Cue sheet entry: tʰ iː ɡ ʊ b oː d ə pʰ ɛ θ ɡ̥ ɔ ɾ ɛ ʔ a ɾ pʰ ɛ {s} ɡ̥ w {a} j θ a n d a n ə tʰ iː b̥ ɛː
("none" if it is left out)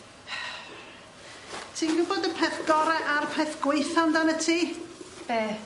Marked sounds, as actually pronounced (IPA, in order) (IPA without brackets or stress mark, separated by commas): θ, e